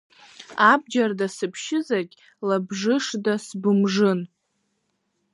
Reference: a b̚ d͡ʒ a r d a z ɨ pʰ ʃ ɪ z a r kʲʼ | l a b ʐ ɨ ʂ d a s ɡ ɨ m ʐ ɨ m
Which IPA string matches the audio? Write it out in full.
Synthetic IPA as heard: a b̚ d͡ʒ a r d a s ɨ pʰ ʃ ɪ z a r kʲʼ | l a b ʐ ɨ ʂ d a s b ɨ m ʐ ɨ n